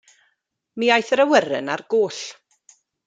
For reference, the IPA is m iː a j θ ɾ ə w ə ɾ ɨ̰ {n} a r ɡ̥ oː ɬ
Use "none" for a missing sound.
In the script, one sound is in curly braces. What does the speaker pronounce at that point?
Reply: n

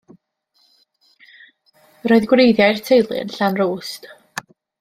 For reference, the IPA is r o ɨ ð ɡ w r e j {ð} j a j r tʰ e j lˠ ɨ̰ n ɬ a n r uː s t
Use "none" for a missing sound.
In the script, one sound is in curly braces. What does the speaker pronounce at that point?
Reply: ð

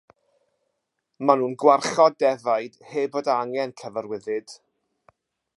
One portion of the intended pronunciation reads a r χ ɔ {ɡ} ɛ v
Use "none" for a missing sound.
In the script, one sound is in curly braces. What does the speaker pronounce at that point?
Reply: d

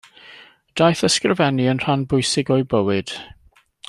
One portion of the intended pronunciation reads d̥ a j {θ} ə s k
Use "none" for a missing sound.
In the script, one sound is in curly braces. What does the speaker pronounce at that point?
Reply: θ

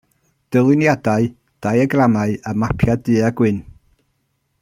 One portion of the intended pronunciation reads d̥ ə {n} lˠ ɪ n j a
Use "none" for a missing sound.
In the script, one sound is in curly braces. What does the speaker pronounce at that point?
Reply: none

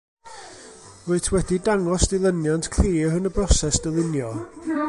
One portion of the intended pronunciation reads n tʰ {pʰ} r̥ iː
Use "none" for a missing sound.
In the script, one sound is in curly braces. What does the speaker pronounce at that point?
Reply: kʰ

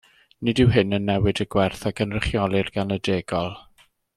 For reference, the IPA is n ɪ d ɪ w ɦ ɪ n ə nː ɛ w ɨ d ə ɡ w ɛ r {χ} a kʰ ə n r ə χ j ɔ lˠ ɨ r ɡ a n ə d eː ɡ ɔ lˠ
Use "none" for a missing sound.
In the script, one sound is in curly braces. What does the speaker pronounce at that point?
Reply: θ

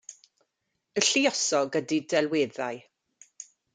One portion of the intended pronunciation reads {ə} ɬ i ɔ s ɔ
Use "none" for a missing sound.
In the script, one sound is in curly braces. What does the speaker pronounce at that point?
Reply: ə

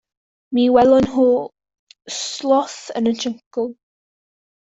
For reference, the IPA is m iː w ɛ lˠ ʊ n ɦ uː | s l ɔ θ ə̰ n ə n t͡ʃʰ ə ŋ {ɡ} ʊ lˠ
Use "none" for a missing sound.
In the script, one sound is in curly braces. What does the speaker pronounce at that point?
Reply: k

